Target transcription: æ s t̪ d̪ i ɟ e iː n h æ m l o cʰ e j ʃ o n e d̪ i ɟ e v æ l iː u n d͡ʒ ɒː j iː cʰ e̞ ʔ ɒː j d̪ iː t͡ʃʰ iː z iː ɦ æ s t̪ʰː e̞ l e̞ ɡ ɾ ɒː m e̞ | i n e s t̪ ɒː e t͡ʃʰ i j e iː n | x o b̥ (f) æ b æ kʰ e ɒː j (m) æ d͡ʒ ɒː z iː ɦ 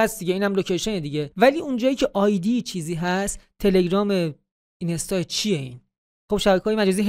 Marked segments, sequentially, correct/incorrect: incorrect: ʃ, correct

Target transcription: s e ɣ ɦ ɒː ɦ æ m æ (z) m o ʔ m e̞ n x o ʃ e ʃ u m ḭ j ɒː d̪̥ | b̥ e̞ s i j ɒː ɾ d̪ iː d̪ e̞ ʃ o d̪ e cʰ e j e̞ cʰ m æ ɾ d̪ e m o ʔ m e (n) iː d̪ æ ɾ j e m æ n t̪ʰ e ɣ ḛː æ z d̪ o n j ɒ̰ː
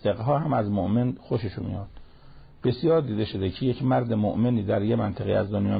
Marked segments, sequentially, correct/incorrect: correct, correct

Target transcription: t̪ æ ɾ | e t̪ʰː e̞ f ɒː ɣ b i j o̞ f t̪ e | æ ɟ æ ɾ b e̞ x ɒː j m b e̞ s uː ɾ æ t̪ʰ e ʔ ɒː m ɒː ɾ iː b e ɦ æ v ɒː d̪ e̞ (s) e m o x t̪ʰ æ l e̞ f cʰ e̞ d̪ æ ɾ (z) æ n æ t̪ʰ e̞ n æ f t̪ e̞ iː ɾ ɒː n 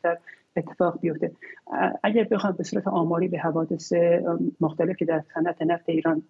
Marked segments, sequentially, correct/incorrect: correct, incorrect: s

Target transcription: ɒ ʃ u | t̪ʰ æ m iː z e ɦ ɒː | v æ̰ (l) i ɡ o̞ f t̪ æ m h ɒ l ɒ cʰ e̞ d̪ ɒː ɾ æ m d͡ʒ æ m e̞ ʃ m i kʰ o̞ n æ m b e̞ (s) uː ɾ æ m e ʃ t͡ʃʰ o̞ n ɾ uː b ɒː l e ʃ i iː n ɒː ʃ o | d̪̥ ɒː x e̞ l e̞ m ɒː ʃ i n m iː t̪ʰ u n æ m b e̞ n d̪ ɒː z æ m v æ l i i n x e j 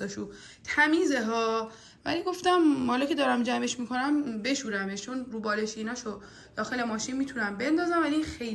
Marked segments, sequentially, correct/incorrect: correct, incorrect: ʃ

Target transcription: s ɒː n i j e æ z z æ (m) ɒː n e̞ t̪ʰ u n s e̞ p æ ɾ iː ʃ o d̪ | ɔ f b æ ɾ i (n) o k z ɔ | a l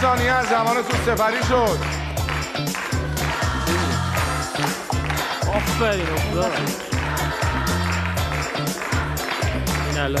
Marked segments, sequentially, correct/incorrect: correct, correct

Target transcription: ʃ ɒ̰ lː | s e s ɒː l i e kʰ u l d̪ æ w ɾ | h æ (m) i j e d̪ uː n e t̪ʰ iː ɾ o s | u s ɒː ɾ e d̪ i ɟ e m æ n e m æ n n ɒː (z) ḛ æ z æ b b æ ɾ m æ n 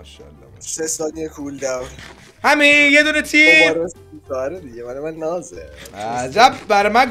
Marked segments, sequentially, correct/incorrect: correct, correct

